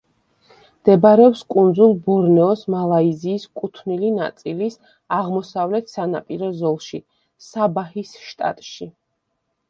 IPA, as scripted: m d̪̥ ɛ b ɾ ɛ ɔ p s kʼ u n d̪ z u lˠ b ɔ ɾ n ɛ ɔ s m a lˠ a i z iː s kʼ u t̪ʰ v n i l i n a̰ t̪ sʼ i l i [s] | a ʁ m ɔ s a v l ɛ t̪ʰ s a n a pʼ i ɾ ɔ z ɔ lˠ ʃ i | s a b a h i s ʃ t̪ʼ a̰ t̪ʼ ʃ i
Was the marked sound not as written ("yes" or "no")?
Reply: no